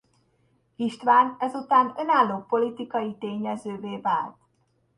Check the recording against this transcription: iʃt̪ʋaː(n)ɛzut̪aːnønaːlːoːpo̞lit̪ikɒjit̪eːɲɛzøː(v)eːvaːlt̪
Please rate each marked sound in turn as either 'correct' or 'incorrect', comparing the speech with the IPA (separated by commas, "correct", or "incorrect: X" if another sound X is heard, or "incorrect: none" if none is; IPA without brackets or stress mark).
correct, correct